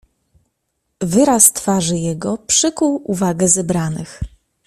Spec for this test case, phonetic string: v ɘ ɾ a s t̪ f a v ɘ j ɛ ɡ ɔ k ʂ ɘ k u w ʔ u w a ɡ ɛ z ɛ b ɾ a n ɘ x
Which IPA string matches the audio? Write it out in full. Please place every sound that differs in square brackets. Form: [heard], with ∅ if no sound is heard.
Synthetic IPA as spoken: v ɘ ɾ a s t̪ f a [ʐ] ɘ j ɛ ɡ ɔ [p] ʂ ɘ k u w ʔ u [v] a ɡ ɛ z ɛ b ɾ a n ɘ x